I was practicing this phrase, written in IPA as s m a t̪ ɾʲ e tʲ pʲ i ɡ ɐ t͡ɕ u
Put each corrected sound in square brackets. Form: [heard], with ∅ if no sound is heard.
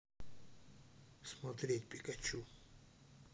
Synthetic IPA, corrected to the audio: s m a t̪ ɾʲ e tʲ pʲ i [k] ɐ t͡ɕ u